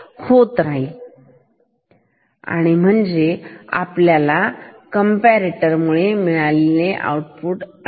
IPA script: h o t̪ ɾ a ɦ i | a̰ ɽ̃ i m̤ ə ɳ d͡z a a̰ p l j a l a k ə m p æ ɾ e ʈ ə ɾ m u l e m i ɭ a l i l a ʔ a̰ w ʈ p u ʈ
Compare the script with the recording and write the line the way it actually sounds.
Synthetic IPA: h o t̪ ɾ a ɦ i | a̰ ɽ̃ i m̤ ə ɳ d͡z e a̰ p l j a l a k ə m p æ ɾ e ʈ ə ɾ m u ɭ e m i ɭ a l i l e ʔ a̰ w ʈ p u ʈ